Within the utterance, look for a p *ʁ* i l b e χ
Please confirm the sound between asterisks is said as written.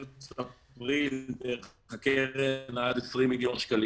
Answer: yes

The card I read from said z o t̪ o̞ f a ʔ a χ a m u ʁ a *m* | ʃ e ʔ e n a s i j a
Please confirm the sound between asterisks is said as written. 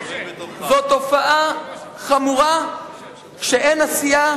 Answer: no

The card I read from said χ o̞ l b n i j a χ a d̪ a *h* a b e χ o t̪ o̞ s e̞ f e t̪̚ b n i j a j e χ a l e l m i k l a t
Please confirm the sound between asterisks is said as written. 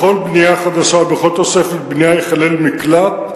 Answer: no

